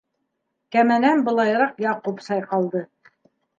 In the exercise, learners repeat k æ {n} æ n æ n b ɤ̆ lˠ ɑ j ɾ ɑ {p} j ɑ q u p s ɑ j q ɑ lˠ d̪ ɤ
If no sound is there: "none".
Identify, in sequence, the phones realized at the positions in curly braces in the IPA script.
m, q

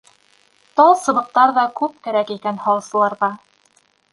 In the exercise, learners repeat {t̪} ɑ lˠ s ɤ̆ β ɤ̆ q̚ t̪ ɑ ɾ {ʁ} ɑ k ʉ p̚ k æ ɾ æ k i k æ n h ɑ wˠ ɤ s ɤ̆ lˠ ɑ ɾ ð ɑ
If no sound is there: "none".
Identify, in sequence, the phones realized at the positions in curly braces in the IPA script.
t̪, ð

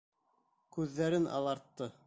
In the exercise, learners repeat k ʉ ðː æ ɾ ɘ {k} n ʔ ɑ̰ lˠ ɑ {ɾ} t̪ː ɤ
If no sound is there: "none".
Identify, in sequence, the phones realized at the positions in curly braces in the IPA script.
none, ɾ

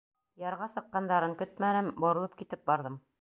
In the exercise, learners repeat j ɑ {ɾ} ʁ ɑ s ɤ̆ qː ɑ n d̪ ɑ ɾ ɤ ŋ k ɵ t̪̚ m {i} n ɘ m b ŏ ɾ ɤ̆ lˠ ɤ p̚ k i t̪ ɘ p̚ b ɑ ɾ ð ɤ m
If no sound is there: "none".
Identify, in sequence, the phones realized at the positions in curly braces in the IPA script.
ɾ, æ

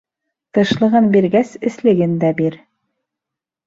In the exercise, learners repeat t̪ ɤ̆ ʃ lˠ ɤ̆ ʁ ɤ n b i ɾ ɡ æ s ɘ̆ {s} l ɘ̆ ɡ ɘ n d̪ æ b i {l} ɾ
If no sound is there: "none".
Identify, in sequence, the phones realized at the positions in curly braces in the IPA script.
s, none

